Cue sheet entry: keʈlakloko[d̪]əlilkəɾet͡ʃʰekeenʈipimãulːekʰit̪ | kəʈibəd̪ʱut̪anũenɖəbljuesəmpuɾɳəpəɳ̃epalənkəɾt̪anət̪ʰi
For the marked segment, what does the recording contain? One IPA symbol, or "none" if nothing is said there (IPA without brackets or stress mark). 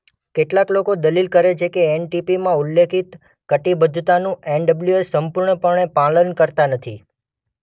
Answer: d̪